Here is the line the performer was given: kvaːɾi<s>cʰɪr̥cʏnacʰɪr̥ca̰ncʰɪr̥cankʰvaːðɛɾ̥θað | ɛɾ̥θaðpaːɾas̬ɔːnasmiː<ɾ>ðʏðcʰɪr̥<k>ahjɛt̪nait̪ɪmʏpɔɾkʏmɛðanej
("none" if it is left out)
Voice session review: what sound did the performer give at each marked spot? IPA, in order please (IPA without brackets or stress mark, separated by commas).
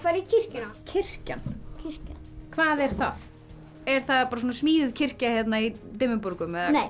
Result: none, none, c